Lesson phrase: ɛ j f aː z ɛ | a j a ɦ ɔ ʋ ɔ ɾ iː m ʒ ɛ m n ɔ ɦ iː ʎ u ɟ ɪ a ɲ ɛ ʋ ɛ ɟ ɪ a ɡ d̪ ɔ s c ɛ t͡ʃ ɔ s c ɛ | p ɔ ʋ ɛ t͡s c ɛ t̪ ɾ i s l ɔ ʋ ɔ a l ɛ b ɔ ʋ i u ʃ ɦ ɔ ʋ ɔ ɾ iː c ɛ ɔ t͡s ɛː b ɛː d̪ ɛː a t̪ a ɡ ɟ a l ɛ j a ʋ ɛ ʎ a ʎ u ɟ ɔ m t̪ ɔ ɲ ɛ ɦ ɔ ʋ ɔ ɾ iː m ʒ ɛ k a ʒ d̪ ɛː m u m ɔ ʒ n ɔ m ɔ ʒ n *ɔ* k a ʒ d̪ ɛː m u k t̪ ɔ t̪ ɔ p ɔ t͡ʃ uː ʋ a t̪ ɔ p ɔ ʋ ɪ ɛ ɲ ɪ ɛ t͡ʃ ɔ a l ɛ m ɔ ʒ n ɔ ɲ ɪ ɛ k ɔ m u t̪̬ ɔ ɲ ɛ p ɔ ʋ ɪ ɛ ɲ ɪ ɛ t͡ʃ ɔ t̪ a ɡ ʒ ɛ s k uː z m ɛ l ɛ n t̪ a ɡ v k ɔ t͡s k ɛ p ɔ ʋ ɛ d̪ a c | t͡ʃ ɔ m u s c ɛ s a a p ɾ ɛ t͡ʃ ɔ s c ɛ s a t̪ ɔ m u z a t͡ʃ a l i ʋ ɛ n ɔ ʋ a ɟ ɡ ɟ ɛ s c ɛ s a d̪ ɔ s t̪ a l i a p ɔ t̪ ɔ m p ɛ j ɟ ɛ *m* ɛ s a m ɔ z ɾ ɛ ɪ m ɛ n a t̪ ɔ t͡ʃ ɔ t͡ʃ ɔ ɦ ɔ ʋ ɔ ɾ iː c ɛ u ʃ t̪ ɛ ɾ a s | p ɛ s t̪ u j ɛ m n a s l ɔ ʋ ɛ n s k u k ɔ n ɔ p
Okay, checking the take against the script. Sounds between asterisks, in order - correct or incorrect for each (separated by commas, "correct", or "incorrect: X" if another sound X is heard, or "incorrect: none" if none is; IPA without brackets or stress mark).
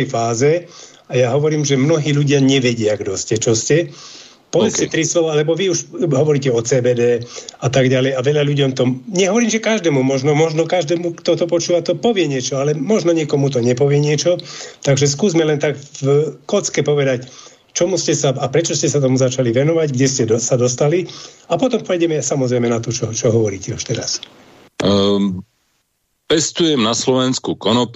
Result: correct, correct